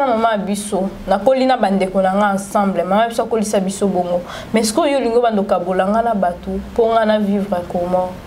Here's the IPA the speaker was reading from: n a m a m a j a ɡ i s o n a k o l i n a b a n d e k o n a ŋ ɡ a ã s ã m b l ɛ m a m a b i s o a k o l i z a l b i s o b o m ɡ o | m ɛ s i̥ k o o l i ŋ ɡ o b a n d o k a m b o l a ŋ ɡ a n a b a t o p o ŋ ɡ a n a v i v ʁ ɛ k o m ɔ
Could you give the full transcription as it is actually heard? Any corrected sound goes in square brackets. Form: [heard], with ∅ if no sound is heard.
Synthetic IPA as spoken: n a m a m a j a [b] i s o n a k o l i n a b a n d e k o n a ŋ ɡ a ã s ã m b l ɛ m a m a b i s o a k o l i [s] a [∅] b i s o b o [ŋ] ɡ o | m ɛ s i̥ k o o l i ŋ ɡ o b a n d o k a [∅] b o l a ŋ ɡ a n a b a t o p o ŋ ɡ a n a v i v ʁ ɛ k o m ɔ